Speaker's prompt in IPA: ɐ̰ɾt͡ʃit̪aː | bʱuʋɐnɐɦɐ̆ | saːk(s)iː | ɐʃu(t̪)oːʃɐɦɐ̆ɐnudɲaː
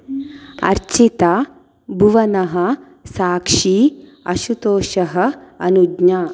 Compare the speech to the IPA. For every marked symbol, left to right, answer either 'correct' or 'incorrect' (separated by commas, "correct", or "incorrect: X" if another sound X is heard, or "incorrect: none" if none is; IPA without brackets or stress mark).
incorrect: ʂ, correct